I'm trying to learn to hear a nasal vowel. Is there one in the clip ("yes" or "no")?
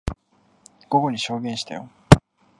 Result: yes